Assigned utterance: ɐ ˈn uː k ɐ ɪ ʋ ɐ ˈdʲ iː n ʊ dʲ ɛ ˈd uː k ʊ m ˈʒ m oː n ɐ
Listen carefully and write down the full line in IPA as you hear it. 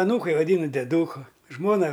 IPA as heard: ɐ ˈn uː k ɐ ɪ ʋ ɐ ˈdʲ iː n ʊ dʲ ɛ ˈd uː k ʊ ˈʒ m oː n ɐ

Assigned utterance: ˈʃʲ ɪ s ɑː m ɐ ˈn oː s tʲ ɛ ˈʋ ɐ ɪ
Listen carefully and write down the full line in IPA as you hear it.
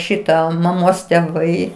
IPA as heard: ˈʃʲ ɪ t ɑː m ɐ ˈm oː s tʲ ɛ ˈʋ ɐ ɪ

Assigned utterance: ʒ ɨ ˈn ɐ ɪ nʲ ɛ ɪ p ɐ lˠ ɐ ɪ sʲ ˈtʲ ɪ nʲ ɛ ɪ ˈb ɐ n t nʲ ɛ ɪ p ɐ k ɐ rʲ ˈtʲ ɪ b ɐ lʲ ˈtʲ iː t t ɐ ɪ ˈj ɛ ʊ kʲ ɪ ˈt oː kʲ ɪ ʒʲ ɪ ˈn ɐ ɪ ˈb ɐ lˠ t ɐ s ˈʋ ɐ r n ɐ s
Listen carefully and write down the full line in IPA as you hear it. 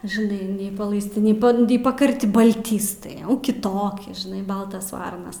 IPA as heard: ʒ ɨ ˈn ɐ ɪ nʲ ɛ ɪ p ɐ lˠ ɐ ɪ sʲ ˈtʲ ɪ nʲ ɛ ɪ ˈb ɐ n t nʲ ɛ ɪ p ɐ k ɐ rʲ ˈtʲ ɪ b ɐ lʲ ˈtʲ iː s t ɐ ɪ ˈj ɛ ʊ kʲ ɪ ˈt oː kʲ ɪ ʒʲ ɪ ˈn ɐ ɪ ˈb ɐ lˠ t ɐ s ˈʋ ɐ r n ɐ s

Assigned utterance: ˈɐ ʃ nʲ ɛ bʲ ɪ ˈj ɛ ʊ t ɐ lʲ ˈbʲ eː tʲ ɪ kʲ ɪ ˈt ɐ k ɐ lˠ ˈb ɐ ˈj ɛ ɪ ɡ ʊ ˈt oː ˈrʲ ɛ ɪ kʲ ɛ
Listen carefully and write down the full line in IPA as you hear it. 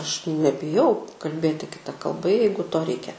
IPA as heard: ˈɐ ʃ nʲ ɛ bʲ ɪ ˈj ɛ ʊ k ɐ lʲ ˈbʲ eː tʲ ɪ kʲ ɪ ˈt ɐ k ɐ lˠ ˈb ɐ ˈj ɛ ɪ ɡ ʊ ˈt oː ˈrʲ ɛ ɪ kʲ ɛ

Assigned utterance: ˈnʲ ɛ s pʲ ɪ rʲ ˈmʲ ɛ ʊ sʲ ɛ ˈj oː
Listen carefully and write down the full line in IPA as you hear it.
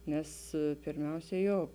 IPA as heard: ˈnʲ ɛ s pʲ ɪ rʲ ˈmʲ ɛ ʊ sʲ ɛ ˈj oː

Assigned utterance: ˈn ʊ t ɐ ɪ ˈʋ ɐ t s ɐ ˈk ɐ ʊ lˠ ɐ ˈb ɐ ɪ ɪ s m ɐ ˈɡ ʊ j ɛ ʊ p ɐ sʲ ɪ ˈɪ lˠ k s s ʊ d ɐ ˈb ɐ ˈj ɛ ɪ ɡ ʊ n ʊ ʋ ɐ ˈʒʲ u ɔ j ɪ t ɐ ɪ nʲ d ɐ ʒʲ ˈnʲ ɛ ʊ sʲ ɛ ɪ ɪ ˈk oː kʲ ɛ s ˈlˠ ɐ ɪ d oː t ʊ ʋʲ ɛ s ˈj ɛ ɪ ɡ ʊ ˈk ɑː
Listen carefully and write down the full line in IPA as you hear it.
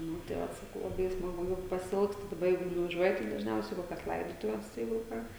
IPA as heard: ˈn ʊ t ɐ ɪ ˈʋ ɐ t s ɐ ˈk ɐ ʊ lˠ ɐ ˈb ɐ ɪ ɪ s m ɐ ˈɡ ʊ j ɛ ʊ p ɐ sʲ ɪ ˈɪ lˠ k s t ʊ d ɐ ˈb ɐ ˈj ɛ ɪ ɡ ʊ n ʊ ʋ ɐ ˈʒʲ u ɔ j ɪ t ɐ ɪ d ɐ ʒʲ ˈnʲ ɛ ʊ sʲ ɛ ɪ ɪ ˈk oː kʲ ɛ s ˈlˠ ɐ ɪ d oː t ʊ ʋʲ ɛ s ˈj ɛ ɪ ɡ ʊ ˈk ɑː

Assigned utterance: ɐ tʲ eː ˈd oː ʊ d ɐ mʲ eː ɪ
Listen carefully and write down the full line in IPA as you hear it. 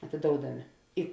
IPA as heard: ɐ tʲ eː ˈd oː ʊ d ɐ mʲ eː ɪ

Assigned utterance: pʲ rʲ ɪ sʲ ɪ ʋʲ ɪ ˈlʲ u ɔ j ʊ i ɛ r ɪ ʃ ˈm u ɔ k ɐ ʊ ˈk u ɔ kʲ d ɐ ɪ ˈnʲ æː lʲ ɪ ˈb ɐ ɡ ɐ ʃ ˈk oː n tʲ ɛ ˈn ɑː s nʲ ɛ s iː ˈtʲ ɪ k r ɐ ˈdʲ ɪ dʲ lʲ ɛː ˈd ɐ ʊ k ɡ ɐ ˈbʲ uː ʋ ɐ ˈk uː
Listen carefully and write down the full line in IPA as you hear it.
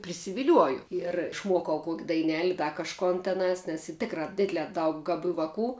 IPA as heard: pʲ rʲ ɪ sʲ ɪ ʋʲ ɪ ˈlʲ u ɔ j ʊ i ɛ r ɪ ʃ ˈm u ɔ k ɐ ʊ ˈk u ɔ kʲ d ɐ ɪ ˈnʲ æː lʲ ɪ ˈd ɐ k ɐ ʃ ˈk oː n tʲ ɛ ˈn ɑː s nʲ ɛ s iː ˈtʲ ɪ k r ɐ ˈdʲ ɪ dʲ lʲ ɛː ˈd ɐ ʊ k ɡ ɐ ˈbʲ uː ʋ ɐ ˈk uː

